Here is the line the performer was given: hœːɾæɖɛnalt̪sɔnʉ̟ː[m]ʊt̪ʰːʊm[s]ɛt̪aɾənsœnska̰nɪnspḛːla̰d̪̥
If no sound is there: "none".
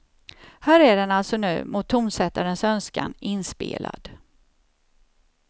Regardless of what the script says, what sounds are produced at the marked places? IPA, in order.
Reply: m, s

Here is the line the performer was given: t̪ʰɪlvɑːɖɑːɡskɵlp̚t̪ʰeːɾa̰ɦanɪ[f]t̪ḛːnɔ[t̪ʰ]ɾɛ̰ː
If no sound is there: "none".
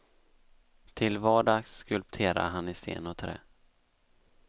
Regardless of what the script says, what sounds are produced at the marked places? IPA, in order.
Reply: s, t̪ʰ

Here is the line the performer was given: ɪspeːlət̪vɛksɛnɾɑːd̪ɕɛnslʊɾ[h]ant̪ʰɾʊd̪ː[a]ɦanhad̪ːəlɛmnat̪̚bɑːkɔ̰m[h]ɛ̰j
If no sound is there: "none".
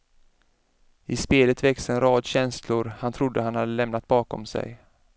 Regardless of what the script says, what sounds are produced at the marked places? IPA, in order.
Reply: h, ə, s

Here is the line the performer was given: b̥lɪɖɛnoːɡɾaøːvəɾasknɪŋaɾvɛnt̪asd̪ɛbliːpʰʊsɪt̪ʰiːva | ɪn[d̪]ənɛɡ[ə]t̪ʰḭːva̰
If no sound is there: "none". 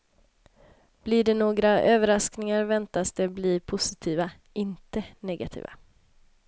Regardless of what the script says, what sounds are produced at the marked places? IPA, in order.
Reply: t̪, a

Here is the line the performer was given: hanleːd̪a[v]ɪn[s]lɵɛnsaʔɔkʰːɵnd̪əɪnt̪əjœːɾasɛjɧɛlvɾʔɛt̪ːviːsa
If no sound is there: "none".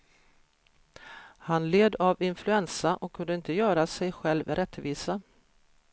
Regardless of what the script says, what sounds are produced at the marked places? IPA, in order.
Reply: v, f

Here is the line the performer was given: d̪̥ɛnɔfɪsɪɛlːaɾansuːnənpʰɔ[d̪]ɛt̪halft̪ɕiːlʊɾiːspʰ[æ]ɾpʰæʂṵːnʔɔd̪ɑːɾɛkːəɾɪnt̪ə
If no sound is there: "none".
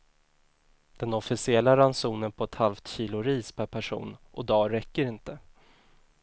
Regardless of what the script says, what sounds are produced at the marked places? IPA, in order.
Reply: none, æ

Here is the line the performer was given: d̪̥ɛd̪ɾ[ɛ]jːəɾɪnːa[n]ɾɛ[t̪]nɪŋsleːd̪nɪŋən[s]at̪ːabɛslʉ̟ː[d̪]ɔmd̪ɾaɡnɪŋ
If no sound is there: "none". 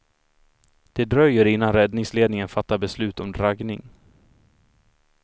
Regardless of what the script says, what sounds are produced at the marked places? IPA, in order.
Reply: œ, n, d̪, f, t̪

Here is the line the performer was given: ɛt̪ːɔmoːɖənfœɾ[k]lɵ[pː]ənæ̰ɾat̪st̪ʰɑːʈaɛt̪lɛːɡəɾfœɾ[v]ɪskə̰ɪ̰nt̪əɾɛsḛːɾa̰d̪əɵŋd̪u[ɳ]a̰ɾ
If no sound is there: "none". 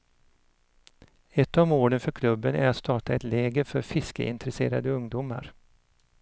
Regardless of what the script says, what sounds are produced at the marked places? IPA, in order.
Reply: kʰ, bː, f, m

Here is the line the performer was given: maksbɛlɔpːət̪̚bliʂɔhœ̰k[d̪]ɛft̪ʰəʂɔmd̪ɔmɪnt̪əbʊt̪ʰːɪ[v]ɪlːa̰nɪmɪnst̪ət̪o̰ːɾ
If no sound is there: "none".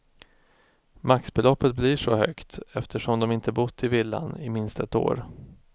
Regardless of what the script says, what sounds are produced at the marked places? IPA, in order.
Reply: t̪, v

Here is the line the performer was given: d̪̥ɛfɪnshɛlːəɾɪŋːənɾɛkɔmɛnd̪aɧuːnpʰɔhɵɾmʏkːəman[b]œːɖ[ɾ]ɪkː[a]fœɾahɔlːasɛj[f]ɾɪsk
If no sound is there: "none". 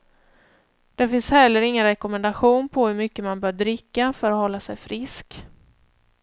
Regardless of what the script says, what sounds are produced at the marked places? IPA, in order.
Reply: b, ɾ, a, f

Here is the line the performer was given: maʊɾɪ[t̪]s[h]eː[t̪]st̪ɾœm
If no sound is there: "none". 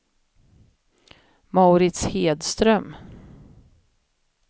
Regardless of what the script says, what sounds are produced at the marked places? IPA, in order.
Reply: t̪, h, d̪

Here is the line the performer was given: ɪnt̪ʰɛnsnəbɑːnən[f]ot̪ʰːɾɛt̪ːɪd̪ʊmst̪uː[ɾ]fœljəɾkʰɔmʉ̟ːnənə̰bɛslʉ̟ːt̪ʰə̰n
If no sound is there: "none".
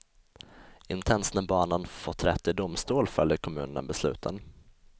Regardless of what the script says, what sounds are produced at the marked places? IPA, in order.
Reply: f, l

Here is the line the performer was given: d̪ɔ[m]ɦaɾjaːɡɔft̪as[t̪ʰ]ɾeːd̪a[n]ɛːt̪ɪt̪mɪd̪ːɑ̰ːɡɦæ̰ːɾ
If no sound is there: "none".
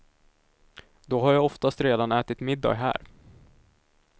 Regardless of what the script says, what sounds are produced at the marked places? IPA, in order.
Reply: none, t̪, n

